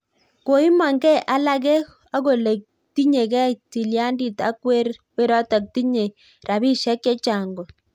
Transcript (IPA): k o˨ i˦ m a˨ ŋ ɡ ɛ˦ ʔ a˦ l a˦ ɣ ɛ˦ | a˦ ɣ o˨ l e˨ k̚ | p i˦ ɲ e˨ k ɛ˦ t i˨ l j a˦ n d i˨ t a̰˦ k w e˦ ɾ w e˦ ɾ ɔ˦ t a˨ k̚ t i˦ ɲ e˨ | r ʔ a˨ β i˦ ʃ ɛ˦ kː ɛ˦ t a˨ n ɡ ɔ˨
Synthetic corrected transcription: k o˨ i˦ m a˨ ŋ ɡ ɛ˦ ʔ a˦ l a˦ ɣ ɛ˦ | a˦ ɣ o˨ l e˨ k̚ | t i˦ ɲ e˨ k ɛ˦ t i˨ l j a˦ n d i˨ t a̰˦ k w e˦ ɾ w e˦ ɾ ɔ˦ t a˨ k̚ t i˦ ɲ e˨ | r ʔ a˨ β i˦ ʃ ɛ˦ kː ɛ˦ t͡ʃ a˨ ŋ ɡ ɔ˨